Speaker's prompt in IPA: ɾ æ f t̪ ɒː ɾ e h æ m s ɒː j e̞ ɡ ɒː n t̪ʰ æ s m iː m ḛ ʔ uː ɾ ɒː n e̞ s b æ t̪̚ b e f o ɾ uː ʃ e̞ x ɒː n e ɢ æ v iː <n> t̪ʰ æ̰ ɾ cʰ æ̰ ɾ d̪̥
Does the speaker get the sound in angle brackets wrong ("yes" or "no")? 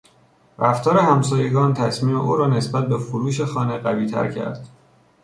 yes